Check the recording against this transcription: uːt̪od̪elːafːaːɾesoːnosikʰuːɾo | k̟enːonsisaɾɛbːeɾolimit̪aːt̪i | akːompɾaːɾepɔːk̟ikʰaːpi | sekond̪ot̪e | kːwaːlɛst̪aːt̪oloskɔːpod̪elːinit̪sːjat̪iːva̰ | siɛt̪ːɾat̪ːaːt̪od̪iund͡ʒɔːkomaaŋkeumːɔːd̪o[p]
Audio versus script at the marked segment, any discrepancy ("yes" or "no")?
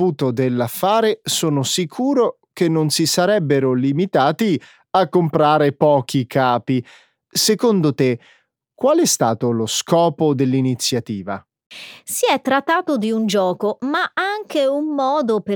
no